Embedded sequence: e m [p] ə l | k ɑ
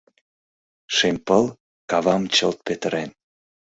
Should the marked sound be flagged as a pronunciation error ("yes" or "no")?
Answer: no